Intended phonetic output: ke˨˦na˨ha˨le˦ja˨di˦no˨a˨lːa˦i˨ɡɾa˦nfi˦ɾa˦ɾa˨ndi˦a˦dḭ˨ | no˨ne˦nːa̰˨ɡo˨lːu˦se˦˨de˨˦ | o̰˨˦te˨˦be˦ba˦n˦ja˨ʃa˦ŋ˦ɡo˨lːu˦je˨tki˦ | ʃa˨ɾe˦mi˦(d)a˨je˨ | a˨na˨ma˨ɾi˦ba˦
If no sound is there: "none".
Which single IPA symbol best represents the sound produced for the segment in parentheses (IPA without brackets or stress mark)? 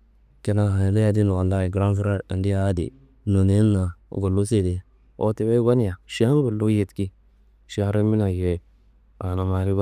n